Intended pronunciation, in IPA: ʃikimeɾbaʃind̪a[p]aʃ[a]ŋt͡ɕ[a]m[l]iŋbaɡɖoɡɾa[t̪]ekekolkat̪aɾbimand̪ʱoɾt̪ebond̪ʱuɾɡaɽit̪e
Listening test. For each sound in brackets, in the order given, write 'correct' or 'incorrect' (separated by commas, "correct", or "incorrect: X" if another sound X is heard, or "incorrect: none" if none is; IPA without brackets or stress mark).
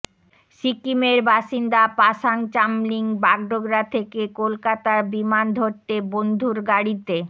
correct, correct, correct, correct, incorrect: t̪ʰ